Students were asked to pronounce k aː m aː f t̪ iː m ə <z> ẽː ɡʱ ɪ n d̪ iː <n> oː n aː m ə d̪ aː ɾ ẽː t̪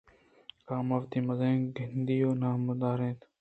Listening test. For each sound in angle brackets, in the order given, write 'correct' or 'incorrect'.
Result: correct, incorrect: none

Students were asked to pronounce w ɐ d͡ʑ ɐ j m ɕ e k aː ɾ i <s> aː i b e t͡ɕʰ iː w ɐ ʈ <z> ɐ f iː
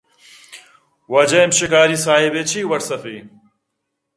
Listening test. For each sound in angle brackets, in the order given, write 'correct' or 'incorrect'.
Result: correct, incorrect: s

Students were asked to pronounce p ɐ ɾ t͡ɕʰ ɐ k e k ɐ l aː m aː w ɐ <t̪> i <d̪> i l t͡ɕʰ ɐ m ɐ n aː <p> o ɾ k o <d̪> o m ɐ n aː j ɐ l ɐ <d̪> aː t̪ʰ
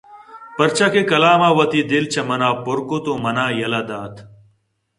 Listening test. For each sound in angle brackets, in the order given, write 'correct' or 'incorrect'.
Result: correct, correct, correct, incorrect: t̪, correct

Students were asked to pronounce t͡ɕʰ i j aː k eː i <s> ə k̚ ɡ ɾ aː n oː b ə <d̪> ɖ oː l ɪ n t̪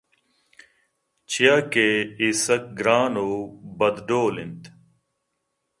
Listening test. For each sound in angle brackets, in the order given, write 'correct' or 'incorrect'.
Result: correct, correct

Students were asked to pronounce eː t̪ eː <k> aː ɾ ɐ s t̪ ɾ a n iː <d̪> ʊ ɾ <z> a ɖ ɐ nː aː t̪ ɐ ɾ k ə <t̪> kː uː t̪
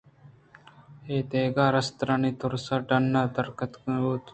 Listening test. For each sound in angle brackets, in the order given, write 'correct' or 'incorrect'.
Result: incorrect: ɡ, incorrect: t̪, incorrect: s, correct

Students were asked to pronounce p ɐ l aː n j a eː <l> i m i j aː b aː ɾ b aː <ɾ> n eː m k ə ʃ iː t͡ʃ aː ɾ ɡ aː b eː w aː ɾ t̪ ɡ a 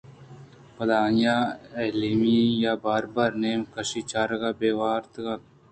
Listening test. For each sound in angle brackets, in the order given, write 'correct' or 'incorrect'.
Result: correct, correct

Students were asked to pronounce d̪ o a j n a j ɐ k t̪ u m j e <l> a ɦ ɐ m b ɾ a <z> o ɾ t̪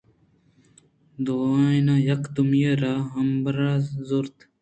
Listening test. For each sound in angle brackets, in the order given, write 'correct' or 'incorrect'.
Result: incorrect: ɾ, correct

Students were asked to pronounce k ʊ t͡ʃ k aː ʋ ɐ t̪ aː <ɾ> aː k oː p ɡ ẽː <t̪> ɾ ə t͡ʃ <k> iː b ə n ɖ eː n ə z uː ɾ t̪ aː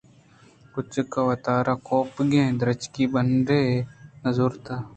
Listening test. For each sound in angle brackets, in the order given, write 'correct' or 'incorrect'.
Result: correct, incorrect: d̪, correct

